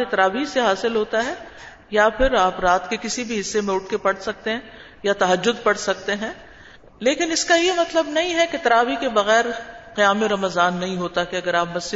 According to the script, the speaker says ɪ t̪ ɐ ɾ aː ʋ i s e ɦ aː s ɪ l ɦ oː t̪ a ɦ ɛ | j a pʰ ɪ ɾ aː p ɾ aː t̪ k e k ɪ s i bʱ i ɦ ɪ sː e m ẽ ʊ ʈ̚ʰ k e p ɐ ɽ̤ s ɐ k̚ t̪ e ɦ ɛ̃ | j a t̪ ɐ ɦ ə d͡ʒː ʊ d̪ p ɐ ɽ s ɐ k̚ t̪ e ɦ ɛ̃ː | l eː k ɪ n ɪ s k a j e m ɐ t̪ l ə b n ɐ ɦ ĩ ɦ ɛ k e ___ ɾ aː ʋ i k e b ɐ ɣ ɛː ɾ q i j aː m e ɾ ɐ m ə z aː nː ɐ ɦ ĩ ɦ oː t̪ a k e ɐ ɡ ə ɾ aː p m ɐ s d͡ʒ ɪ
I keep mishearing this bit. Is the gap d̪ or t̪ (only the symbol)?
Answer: t̪